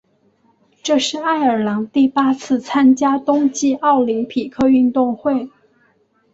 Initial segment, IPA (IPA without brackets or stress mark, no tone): ʈ͡ʂ